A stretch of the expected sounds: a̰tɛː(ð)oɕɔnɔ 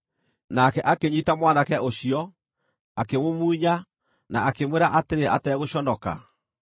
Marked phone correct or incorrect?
incorrect